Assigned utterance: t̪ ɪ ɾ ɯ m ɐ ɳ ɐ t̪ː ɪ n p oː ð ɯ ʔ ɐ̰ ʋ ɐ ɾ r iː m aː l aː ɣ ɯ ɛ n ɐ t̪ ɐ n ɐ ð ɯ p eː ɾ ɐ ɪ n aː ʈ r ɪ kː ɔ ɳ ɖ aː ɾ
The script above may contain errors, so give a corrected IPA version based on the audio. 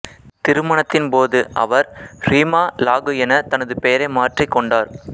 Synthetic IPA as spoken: t̪ ɪ ɾ ɯ m ɐ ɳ ɐ t̪ː ɪ n p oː ð ɯ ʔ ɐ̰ ʋ ɐ ɾ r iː m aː l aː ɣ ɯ ɛ n ɐ t̪ ɐ n ɐ ð ɯ p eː ɾ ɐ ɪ m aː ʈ r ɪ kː ɔ ɳ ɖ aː ɾ

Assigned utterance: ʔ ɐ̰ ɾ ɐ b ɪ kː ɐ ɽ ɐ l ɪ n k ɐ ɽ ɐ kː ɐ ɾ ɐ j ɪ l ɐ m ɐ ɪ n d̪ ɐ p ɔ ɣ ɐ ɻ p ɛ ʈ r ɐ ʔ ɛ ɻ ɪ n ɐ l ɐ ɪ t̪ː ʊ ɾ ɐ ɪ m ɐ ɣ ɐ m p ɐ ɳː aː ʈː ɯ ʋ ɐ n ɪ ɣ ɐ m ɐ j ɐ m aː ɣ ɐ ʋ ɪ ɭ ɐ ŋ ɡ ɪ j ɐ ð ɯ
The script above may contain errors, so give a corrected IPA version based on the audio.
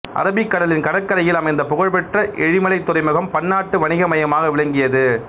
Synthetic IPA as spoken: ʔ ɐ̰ ɾ ɐ b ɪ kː ɐ ɽ ɐ l ɪ n k ɐ ɽ ɐ kː ɐ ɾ ɐ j ɪ l ɐ m ɐ ɪ n d̪ ɐ p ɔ ɣ ɐ ɻ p ɛ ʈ r ɐ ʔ ɛ ɻ ɪ m ɐ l ɐ ɪ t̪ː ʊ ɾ ɐ ɪ m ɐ ɣ ɐ m p ɐ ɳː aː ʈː ɯ ʋ ɐ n ɪ ɣ ɐ m ɐ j ɐ m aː ɣ ɐ ʋ ɪ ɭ ɐ ŋ ɡ ɪ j ɐ ð ɯ

